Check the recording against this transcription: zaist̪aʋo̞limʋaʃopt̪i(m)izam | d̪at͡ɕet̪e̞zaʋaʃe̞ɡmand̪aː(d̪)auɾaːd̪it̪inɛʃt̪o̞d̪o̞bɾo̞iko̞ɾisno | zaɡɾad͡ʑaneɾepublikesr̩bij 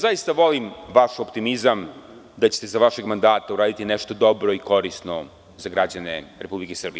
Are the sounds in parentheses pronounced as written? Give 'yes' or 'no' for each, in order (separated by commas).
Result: yes, no